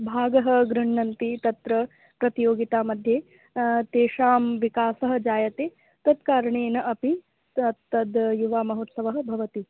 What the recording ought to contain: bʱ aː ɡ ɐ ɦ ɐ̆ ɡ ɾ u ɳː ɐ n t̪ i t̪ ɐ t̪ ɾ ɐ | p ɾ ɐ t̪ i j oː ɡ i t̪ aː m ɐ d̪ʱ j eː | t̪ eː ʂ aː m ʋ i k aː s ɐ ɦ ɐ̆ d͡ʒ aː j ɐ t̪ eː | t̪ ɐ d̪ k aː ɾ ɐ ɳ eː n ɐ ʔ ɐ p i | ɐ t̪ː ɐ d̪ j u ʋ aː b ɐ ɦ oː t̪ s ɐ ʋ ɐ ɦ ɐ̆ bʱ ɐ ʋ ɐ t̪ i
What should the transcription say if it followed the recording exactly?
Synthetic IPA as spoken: bʱ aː ɡ ɐ ɦ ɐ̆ ɡ ɾ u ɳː ɐ n t̪ i t̪ ɐ t̪ ɾ ɐ | p ɾ ɐ t̪ i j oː ɡ i t̪ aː m ɐ d̪ʱ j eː | t̪ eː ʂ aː m ʋ i k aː s ɐ ɦ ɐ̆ d͡ʒ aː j ɐ t̪ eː | t̪ ɐ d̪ k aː ɾ ɐ ɳ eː n ɐ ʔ ɐ p i | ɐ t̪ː ɐ d̪ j u ʋ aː m ɐ ɦ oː t̪ s ɐ ʋ ɐ ɦ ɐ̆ bʱ ɐ ʋ ɐ t̪ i